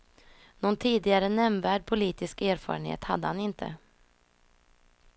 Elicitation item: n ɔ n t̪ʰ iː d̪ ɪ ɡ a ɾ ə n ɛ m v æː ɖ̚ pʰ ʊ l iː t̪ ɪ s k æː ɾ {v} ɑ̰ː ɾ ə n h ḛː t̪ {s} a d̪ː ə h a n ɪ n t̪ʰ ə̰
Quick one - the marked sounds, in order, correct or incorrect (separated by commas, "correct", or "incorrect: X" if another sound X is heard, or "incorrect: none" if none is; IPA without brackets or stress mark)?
incorrect: f, incorrect: h